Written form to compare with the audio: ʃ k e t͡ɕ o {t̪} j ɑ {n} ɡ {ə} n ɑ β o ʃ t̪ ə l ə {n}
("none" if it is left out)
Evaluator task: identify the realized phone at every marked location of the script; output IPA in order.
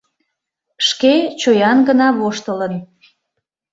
none, n, ə, n

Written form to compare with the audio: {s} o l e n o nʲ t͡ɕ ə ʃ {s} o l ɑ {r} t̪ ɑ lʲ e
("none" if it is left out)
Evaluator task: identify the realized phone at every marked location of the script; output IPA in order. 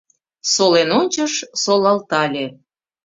s, s, l

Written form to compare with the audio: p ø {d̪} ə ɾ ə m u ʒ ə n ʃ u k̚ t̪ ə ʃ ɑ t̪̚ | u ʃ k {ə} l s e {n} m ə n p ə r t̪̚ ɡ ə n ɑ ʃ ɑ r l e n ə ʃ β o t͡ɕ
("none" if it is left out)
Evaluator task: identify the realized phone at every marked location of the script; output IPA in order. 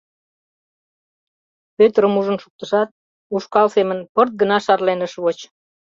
t̪, ɑ, none

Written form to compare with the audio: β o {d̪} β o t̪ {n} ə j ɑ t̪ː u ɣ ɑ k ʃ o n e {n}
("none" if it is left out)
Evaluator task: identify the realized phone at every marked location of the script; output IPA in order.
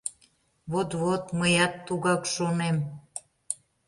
t̪, m, m

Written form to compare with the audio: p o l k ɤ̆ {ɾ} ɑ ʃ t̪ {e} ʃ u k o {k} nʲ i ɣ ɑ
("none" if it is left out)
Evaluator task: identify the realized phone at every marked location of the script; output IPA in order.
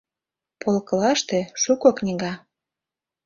l, e, k

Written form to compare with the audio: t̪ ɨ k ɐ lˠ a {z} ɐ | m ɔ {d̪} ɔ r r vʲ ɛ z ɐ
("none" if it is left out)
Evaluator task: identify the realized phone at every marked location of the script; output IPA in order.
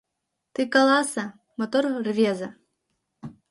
s, t̪

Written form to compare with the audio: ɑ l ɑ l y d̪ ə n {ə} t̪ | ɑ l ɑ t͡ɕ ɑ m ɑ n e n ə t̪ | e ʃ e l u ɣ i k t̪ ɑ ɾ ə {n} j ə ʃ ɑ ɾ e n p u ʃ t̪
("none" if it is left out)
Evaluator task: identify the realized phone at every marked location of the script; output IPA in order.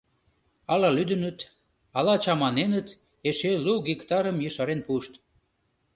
ə, m

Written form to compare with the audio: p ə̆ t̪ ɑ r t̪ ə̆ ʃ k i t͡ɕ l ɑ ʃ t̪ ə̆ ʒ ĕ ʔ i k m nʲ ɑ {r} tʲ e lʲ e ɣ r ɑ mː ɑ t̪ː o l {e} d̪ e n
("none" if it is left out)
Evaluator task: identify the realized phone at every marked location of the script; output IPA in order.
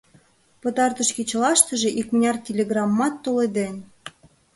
r, e

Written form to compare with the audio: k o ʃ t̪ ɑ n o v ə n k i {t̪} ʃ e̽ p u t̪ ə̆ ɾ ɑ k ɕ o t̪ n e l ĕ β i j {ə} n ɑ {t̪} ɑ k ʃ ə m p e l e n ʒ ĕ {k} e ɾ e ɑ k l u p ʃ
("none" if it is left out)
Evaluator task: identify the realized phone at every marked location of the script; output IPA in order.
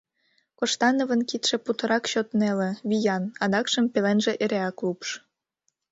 t̪, ɑ, d̪, ʔ

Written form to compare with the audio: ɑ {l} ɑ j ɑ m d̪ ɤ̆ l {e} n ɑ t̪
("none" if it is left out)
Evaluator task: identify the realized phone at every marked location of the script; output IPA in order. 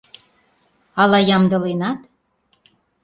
l, e

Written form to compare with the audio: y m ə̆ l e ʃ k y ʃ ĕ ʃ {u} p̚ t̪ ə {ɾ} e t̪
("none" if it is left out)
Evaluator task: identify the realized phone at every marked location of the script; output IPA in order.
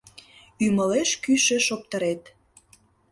o, ɾ

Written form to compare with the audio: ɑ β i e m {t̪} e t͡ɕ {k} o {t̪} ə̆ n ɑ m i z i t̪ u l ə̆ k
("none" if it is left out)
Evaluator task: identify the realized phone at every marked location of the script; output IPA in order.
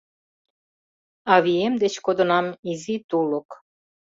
d̪, k, d̪

